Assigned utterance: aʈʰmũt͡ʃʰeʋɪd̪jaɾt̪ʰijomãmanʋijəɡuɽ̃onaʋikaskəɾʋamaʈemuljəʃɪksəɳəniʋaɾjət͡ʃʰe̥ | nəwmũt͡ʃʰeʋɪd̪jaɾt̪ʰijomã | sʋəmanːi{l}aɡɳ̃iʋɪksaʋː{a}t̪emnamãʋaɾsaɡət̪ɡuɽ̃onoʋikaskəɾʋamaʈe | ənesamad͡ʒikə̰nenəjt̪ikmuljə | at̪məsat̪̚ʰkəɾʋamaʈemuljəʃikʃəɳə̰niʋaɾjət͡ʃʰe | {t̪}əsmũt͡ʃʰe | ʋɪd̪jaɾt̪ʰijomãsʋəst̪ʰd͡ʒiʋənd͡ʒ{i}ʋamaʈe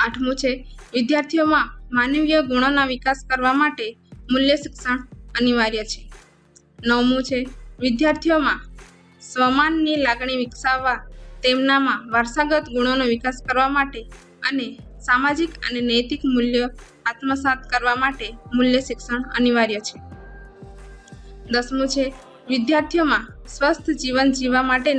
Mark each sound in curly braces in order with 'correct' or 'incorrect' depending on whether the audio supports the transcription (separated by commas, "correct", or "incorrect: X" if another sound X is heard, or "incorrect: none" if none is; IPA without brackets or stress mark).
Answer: correct, correct, incorrect: d̪, correct